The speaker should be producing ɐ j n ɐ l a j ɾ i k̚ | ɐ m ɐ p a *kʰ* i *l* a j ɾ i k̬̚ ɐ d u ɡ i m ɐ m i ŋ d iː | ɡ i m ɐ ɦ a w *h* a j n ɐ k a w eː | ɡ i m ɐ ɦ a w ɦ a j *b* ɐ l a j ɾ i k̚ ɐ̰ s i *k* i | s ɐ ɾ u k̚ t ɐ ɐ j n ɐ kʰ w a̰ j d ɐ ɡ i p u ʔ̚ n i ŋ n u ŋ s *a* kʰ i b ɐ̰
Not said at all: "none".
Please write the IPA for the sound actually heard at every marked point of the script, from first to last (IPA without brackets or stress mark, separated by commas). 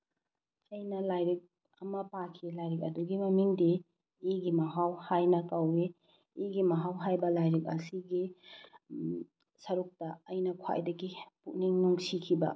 kʰ, l, h, b, ɡ, i